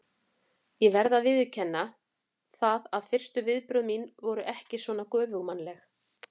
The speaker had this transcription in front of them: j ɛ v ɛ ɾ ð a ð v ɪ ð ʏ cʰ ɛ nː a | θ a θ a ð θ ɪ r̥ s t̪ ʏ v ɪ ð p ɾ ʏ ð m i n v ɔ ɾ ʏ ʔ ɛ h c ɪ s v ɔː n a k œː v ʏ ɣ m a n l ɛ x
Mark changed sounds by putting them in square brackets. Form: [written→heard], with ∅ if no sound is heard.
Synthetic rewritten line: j ɛ v ɛ ɾ ð a ð v ɪ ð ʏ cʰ ɛ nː a | θ a [θ→ð] a ð [θ→f] ɪ r̥ s t̪ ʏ v ɪ ð p ɾ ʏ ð m i n v ɔ ɾ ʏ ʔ ɛ h c ɪ s v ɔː n a k œː v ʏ ɣ m a n l ɛ x